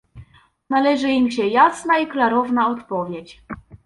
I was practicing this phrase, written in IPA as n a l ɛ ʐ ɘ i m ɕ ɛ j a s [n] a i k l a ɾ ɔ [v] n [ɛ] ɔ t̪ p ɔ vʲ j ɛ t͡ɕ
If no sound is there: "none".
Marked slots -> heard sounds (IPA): n, v, a

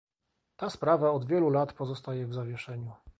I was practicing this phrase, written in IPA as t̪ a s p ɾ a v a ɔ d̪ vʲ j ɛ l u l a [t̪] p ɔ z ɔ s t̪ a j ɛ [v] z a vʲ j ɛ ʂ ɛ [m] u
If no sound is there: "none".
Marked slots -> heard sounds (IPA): t̪, v, ɲ

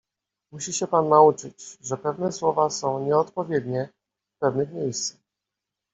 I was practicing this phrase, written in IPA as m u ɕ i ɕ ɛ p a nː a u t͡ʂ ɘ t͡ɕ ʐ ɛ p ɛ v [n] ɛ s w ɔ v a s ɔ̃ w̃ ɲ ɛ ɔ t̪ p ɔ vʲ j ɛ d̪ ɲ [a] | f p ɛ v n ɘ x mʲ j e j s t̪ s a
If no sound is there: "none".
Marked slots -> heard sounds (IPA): n, ɛ

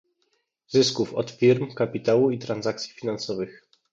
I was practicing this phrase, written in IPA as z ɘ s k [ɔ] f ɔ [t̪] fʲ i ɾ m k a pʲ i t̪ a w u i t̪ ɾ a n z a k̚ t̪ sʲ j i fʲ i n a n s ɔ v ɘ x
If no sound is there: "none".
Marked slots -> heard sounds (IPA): u, t̪

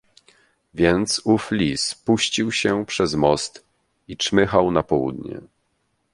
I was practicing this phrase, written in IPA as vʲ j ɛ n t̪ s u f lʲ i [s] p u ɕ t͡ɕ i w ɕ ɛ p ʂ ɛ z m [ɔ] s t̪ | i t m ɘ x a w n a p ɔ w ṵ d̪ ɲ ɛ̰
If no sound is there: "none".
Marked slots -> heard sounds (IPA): s, ɔ

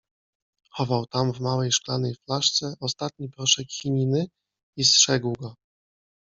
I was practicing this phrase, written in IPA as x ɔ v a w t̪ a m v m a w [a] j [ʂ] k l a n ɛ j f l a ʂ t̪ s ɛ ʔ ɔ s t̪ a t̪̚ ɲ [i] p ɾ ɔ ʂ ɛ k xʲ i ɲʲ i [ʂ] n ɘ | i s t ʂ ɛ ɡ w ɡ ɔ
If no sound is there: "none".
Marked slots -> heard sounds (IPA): ɛ, ʂ, i, none

